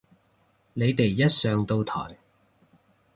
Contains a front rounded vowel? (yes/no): yes